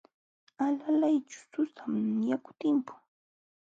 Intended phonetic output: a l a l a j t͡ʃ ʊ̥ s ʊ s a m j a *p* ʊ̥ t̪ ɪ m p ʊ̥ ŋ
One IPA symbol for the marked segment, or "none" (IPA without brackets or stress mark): k